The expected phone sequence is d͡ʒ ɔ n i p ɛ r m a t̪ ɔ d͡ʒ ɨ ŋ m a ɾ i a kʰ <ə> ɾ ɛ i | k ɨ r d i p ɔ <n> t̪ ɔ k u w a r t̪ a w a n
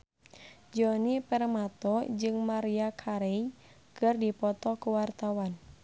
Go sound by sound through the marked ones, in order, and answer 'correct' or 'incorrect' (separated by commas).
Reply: incorrect, incorrect